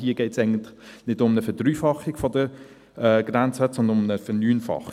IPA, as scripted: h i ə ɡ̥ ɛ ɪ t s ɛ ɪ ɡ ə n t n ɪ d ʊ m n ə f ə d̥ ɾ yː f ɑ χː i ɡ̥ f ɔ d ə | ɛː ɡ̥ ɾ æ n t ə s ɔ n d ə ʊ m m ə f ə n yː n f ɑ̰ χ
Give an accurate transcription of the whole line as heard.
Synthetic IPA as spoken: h i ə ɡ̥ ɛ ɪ t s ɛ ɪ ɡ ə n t n ɪ d ʊ m n ə f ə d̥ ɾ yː f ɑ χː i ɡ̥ f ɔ d ə | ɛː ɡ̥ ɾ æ n t͡s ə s ɔ n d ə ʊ m n ə f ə n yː n f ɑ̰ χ